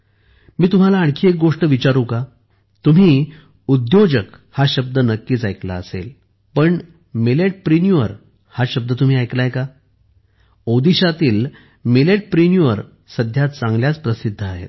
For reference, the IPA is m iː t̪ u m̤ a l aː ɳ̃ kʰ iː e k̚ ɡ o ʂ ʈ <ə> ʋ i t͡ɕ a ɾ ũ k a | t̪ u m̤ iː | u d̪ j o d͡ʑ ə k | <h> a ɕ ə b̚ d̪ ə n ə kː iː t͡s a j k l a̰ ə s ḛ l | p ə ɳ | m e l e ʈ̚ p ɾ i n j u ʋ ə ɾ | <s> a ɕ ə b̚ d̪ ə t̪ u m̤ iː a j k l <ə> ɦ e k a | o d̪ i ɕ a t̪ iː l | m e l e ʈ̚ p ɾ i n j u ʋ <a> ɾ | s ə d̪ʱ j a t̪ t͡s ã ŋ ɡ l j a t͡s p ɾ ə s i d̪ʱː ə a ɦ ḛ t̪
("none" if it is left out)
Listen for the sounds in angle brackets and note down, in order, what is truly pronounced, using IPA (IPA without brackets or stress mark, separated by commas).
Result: ə, h, h, a, ə